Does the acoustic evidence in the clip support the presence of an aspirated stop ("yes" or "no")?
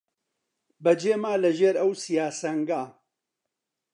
no